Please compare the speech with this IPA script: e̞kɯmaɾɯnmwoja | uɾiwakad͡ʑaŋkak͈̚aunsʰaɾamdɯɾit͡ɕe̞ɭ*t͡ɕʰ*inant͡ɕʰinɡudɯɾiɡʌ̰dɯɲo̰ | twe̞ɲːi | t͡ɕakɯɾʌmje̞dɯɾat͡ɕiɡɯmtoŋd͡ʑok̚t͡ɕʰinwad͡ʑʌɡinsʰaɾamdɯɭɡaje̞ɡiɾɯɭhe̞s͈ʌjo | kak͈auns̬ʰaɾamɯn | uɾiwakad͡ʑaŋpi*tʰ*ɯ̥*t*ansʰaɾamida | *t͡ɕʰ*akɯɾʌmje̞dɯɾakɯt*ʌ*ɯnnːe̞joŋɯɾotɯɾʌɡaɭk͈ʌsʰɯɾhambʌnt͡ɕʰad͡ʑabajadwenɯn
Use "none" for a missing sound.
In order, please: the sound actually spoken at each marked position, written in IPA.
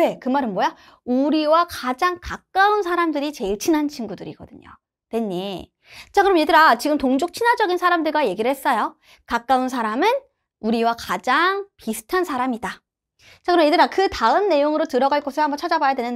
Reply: t͡ɕʰ, sʰ, tʰ, t͡ɕ, a

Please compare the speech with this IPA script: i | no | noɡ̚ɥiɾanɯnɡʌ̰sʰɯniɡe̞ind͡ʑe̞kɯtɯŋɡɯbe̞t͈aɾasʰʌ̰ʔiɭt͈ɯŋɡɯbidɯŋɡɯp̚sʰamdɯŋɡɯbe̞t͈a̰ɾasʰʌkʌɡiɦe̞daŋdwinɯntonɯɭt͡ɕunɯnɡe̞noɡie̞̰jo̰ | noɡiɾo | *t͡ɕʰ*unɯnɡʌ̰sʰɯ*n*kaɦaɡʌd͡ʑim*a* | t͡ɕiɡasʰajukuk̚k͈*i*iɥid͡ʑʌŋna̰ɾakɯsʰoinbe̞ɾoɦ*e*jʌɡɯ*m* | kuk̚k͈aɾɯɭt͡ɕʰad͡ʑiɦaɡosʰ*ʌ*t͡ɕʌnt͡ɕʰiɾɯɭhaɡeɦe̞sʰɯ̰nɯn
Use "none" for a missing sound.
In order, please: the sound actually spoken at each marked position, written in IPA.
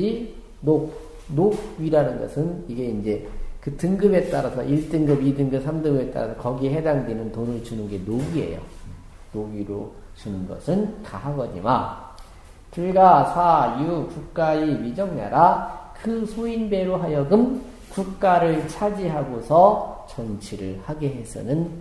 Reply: t͡ɕ, n, a, a, a, m, ʌ

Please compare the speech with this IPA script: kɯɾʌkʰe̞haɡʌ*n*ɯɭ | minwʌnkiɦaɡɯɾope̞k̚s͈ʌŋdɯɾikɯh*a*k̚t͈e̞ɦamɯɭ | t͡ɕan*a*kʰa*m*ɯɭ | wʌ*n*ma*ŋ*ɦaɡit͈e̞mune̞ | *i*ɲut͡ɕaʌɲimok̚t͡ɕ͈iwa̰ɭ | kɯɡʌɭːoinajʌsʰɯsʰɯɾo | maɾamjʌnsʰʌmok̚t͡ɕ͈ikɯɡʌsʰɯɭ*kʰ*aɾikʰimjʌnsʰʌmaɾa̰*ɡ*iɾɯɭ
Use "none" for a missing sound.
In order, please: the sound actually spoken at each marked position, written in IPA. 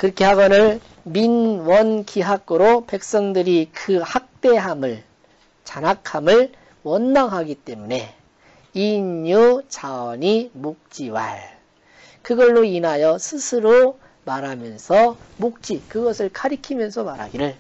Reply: n, a, a, m, n, ŋ, i, kʰ, ɡ

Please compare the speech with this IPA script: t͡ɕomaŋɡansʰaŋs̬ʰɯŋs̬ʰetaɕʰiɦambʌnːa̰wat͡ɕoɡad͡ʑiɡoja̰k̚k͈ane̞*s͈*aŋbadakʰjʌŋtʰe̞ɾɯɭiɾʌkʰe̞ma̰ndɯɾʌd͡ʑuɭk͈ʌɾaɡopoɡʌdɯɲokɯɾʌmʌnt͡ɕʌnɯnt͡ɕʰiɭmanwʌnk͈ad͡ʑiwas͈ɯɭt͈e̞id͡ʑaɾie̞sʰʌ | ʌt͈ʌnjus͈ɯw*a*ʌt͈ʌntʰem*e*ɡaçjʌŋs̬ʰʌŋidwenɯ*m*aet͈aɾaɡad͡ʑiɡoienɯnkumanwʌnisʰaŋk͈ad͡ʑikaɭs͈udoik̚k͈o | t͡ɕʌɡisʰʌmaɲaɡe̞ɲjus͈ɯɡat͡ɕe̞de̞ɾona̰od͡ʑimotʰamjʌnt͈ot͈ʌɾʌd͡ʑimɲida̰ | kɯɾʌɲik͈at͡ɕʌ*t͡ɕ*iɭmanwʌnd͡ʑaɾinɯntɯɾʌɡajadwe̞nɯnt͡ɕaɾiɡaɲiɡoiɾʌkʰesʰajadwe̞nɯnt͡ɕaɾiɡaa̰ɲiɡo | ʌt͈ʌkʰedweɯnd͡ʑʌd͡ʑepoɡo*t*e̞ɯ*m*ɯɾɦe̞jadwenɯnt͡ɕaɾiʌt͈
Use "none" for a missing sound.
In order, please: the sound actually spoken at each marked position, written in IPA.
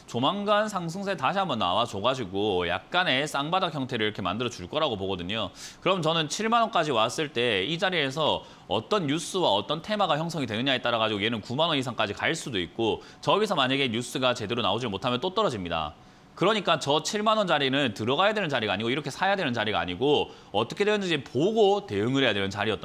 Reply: s͈, a, a, ɲ, t͡ɕʰ, t, ŋ

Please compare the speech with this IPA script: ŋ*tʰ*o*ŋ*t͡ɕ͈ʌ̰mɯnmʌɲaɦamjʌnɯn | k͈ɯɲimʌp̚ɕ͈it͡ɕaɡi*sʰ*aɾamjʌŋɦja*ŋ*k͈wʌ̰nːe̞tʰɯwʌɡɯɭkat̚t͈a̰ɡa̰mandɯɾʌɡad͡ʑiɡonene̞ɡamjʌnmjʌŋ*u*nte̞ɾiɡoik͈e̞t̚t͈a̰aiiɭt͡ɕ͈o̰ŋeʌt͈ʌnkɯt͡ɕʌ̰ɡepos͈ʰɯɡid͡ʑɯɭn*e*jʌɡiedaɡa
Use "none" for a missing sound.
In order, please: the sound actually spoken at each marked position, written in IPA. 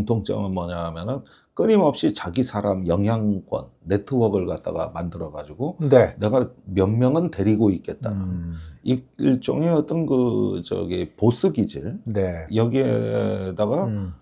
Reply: tʰ, ŋ, sʰ, ŋ, ɯ, e

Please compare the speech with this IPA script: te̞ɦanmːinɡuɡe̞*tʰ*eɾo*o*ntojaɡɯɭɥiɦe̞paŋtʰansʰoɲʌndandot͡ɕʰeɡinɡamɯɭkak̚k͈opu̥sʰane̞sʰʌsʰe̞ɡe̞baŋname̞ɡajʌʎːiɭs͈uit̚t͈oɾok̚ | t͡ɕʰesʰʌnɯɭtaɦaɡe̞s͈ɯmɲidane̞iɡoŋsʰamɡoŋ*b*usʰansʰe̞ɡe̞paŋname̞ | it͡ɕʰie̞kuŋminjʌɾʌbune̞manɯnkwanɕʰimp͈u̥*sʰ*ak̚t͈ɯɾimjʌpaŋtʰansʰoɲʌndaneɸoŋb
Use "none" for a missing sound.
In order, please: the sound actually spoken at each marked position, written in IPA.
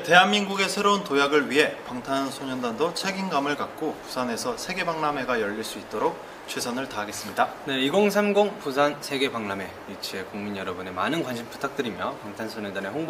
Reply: sʰ, u, p, tʰ

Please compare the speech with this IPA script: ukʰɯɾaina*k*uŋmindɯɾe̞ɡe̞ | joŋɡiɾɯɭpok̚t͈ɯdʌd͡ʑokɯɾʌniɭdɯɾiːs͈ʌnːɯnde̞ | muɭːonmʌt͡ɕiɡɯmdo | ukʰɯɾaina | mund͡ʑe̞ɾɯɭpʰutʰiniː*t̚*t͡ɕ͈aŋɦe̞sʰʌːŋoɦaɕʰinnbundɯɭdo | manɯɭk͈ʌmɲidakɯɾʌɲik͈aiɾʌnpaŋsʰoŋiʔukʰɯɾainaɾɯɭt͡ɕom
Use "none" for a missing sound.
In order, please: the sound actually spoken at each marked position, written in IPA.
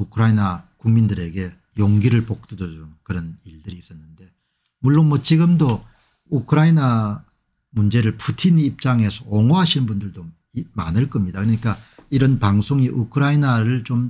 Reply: k, p̚

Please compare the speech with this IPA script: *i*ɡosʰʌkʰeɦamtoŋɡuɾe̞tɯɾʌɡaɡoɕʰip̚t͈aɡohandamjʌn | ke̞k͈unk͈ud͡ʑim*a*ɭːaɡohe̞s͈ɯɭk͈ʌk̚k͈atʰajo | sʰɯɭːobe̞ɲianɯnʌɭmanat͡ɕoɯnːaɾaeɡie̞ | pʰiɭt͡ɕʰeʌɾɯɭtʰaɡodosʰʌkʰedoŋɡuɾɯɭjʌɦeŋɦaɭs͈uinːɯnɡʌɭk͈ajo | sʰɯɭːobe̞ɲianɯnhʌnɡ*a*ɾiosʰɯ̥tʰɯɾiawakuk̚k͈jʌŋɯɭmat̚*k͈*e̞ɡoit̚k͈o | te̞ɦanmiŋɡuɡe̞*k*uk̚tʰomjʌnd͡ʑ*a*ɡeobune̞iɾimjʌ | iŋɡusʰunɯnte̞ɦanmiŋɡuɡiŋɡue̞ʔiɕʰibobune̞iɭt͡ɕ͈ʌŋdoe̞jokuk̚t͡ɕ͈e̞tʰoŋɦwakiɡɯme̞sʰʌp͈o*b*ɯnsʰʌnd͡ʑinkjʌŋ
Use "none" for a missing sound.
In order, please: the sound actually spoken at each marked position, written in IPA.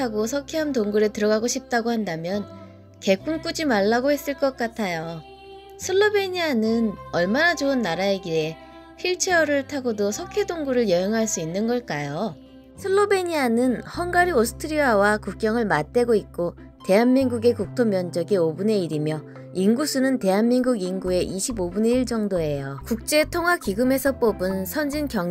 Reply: a, a, a, t͈, k, ʌ, b

